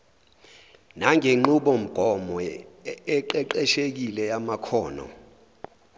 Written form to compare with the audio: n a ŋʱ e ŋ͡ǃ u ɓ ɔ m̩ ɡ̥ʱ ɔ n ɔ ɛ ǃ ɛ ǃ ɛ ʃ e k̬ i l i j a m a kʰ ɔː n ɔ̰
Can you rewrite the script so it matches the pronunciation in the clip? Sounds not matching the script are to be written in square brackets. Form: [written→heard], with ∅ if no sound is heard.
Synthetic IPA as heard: n a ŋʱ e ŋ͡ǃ u ɓ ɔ m̩ ɡ̥ʱ ɔ [n→m] ɔ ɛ ǃ ɛ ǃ ɛ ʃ e k̬ i l [i→ɛ] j a m a kʰ ɔː n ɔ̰

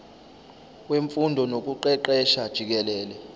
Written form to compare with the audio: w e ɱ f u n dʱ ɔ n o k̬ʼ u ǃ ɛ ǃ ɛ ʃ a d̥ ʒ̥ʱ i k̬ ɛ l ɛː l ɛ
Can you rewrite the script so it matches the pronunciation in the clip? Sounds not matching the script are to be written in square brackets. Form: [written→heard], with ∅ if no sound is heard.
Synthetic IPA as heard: w e ɱ f u n dʱ ɔ n o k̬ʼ u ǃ ɛ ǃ ɛ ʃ a d̥ ʒ̥ʱ i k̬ ɛ l ɛː l ɛ

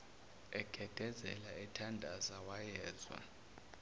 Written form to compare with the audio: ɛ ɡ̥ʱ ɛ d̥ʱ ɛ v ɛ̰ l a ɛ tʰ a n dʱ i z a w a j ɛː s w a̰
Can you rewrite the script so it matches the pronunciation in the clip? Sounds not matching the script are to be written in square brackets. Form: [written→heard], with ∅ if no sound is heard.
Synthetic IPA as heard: ɛ ɡ̥ʱ ɛ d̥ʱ ɛ [v→z] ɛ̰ l a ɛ tʰ a n dʱ [i→a] z a w a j ɛː [s→z] w a̰

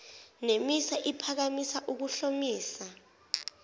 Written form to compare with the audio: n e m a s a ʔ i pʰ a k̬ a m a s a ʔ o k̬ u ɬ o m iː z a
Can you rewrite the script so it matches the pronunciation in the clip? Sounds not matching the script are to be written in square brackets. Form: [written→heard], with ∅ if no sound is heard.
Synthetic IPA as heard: n e m [a→i] s a ʔ i pʰ a k̬ a m [a→i] s a ʔ [o→u] k̬ u ɬ o m iː [z→s] a

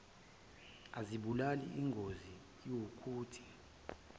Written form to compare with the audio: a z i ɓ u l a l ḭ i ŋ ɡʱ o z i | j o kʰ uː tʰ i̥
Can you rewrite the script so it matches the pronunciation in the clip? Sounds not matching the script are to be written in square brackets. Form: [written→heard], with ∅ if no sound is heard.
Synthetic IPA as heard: a z i ɓ u l a l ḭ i ŋ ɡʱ o z i | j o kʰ uː tʰ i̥

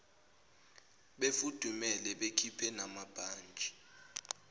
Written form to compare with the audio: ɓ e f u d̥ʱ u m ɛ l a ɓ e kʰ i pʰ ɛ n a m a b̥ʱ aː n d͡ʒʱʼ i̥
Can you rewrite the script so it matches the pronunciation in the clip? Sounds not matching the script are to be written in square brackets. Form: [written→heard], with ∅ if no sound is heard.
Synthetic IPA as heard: ɓ e f u d̥ʱ u m ɛ l [a→ɛ] ɓ e kʰ i pʰ ɛ n a m a b̥ʱ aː n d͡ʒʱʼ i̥

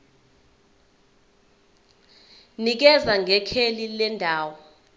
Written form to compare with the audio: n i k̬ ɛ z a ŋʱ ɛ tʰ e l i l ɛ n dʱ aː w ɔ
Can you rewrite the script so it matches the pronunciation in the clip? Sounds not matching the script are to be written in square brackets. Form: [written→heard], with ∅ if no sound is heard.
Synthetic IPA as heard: n i k̬ ɛ z a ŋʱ ɛ [tʰ→kʰ] e l i l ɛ n dʱ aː w ɔ

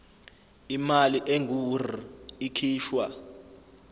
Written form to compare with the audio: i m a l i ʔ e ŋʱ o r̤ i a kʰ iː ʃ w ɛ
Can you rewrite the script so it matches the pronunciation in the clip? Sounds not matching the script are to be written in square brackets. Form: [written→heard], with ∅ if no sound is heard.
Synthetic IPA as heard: i m a l i ʔ e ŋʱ [o→u] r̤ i [a→i] kʰ iː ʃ w [ɛ→a]

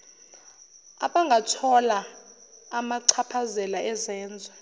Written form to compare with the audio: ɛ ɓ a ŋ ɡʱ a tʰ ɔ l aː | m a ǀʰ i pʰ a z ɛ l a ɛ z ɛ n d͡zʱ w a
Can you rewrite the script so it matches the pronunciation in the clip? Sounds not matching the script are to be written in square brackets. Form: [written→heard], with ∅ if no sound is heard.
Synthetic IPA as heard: [ɛ→a] ɓ a ŋ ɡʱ a tʰ ɔ l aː | m a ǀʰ [i→a] pʰ a z ɛ l a ɛ z [ɛ→ɛː] n d͡zʱ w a

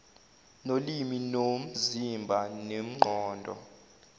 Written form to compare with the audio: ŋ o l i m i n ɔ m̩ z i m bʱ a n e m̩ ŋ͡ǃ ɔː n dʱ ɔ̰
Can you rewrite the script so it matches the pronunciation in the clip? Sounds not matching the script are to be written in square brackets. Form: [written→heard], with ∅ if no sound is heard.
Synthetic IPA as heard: [ŋ→n] o l i m i n [ɔ→o] m̩ z i m bʱ a n e m̩ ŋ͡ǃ ɔː n dʱ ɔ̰

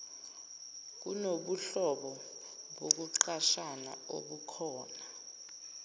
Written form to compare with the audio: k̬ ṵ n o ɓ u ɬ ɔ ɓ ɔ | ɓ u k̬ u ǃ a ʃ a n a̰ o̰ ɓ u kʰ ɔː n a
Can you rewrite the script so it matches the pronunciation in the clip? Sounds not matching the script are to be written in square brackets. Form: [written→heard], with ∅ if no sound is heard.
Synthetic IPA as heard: k̬ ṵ n o ɓ u ɬ ɔ ɓ ɔ | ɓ [u→o] k̬ u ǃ a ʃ a n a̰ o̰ ɓ u kʰ ɔː n a

